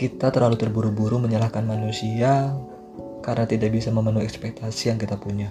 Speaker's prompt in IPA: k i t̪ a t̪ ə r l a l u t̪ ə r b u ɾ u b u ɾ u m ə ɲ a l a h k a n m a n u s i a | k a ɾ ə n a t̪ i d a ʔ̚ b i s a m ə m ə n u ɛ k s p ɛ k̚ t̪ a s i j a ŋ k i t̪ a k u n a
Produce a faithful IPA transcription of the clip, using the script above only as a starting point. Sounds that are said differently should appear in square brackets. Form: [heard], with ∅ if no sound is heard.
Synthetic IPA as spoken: k i t̪ a t̪ ə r l a l u t̪ ə r b u ɾ u b u ɾ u m ə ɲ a l a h k a n m a n u s i a | k a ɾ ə n a t̪ i d a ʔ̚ b i s a m ə m ə n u ɛ k s p ɛ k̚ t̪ a s i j a ŋ k i t̪ a [p] u [ɲ] a